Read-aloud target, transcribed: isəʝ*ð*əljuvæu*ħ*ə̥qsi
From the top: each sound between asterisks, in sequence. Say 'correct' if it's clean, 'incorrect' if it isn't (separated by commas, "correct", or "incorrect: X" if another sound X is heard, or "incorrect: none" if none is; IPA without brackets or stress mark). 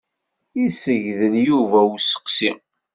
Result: correct, incorrect: s